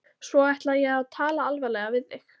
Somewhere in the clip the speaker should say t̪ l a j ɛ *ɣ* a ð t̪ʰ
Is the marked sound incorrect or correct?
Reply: correct